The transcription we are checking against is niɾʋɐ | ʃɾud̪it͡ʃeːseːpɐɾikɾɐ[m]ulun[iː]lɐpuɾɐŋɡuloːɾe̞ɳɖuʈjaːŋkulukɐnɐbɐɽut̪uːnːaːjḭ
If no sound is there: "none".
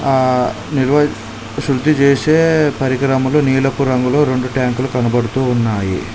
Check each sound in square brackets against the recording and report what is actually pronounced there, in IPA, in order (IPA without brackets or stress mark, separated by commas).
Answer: m, iː